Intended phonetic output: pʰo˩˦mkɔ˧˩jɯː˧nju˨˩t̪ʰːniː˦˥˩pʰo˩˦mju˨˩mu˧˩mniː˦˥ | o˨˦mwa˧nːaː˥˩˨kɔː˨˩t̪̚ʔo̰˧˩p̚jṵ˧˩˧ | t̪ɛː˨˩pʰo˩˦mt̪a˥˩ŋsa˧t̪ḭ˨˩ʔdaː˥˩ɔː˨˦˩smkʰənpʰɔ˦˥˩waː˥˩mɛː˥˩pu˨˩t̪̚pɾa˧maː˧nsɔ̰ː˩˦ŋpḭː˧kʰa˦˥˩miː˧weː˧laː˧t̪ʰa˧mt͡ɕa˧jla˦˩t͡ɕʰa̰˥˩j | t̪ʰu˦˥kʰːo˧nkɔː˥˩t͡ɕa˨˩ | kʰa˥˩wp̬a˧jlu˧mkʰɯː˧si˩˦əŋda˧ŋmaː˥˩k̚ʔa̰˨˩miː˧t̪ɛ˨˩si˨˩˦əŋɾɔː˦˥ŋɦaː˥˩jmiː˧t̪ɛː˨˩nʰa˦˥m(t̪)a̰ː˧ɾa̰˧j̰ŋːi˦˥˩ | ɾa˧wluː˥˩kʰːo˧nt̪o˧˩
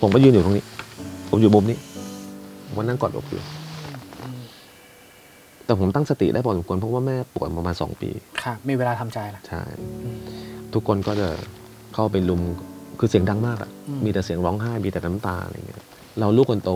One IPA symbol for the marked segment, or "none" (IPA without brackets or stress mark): t̪